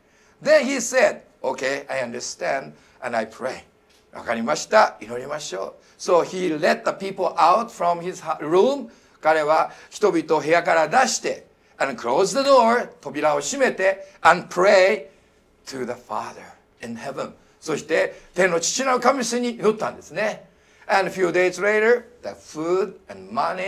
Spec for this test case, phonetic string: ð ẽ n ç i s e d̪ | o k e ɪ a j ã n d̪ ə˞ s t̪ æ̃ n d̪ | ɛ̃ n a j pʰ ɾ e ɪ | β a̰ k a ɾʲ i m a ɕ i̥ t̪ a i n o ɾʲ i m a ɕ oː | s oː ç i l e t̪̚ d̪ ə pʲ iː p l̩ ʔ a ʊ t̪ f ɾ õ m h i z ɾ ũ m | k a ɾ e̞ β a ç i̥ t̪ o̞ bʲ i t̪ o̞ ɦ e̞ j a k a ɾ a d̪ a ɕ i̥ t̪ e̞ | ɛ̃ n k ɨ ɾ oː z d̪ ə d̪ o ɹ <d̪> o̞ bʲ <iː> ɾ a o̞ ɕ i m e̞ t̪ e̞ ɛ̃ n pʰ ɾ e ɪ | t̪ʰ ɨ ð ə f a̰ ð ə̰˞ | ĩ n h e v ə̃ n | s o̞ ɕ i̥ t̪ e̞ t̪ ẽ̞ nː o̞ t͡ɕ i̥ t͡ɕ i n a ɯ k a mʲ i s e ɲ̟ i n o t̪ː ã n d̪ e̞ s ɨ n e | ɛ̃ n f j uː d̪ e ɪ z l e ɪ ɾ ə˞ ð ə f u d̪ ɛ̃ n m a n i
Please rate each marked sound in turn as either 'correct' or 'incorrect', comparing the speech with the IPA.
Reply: incorrect: t̪, incorrect: i

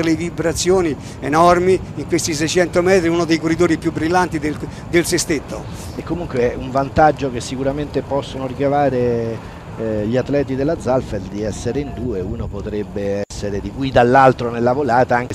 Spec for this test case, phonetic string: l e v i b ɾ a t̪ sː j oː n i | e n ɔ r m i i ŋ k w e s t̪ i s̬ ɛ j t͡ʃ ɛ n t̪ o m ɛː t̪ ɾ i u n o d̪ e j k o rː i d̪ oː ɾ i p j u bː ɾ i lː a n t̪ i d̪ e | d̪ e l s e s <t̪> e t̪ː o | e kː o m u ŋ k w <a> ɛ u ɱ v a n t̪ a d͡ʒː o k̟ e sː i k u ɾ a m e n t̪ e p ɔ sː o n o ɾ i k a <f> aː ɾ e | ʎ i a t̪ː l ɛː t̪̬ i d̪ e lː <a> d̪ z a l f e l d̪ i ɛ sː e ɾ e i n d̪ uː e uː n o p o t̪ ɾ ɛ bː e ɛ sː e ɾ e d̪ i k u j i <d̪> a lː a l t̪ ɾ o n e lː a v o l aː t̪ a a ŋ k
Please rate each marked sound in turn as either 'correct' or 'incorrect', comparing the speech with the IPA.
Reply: correct, incorrect: e, incorrect: v, correct, correct

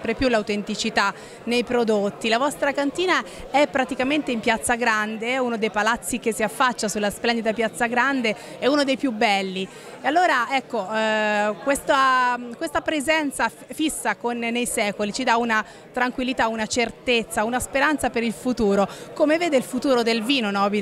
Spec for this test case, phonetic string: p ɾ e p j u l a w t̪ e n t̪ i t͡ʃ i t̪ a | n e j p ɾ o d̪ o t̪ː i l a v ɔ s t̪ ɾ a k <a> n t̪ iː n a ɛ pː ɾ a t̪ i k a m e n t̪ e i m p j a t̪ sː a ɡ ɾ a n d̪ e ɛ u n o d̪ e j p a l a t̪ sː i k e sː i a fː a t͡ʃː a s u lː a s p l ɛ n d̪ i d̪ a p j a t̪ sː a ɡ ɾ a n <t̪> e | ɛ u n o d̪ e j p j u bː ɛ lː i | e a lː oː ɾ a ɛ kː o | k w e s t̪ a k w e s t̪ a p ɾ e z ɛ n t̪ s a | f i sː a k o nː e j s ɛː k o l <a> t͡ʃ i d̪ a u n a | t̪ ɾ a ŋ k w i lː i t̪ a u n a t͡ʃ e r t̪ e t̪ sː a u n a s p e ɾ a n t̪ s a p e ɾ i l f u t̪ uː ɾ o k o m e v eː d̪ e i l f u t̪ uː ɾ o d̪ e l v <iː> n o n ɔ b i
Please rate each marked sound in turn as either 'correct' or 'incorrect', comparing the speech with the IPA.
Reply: correct, incorrect: d̪, incorrect: i, correct

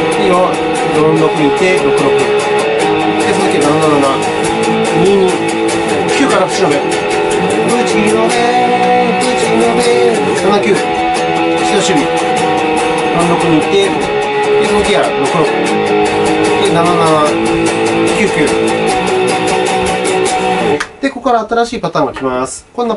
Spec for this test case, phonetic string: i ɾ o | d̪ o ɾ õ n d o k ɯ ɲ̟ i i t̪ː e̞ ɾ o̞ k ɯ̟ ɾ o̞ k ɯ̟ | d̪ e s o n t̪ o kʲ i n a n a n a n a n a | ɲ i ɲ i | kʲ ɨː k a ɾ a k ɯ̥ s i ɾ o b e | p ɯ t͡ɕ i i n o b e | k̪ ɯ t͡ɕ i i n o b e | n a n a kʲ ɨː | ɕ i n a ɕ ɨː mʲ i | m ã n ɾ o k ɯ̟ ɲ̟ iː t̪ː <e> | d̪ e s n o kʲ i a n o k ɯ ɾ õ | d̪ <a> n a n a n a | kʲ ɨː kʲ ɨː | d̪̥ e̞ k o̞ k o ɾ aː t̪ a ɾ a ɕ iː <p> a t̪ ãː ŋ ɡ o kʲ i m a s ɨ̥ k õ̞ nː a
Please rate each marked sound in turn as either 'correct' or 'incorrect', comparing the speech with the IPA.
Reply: correct, incorrect: e, correct

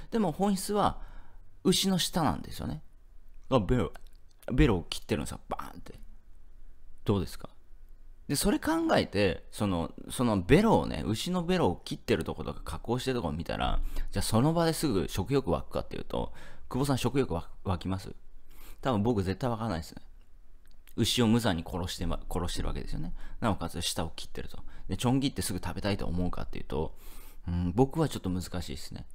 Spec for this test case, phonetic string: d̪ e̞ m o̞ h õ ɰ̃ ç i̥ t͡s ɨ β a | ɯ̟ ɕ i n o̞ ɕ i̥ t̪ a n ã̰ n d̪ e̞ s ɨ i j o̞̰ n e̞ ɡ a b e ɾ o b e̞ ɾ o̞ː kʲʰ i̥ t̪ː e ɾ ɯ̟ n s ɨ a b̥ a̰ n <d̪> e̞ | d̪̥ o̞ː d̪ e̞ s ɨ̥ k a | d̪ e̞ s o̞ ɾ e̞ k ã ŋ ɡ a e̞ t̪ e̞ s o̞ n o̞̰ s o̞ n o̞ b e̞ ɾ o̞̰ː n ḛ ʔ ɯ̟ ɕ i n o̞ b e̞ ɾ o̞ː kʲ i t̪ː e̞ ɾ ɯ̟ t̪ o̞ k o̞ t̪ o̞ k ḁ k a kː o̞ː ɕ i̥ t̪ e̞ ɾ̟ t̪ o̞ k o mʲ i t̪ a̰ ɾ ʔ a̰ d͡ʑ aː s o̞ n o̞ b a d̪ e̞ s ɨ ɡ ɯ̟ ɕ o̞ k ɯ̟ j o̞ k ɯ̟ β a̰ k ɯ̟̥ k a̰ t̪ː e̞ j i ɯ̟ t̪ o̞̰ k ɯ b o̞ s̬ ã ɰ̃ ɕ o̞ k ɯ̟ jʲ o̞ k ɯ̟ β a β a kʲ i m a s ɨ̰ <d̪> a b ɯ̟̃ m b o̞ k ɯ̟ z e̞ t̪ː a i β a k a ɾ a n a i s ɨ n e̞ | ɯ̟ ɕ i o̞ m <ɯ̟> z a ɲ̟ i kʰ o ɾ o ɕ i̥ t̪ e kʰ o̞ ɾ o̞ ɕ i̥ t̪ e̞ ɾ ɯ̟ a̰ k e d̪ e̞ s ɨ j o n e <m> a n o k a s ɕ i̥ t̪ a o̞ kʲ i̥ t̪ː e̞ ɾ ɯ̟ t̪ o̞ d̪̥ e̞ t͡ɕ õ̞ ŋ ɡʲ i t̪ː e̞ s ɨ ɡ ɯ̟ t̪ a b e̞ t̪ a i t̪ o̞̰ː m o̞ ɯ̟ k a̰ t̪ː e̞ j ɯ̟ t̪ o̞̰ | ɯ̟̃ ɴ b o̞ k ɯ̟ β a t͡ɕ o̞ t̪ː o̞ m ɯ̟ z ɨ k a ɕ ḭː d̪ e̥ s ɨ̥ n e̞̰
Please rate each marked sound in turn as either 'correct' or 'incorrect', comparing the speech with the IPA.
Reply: incorrect: t̪, incorrect: t̪, correct, incorrect: n

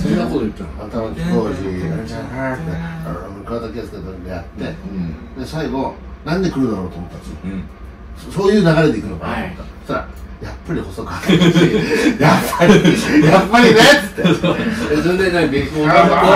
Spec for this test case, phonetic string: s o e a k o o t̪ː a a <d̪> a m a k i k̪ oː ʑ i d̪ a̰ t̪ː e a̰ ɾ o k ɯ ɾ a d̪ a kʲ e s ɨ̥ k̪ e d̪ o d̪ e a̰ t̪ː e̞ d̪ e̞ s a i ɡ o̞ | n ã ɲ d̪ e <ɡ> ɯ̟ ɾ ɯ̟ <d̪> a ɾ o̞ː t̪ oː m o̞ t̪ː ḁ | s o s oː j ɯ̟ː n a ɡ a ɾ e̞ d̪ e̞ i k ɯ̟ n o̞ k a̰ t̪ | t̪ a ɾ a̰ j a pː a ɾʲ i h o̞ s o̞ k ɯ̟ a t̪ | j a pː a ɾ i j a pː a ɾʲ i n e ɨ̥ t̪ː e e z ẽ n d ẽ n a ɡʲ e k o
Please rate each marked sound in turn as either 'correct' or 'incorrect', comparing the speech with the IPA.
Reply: incorrect: t̪, incorrect: k, correct

